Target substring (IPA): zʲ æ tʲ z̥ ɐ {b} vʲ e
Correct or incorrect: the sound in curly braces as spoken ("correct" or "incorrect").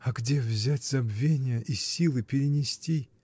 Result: correct